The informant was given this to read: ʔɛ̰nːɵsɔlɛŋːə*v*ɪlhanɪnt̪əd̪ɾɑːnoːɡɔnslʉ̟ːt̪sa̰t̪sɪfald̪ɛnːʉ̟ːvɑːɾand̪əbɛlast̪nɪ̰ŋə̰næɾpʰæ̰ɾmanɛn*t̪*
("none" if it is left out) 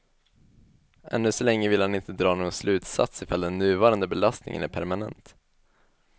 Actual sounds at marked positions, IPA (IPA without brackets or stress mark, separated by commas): v, t̪